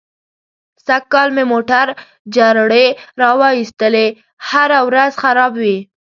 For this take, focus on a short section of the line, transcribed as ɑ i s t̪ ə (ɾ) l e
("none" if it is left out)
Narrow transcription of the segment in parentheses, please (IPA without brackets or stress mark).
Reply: none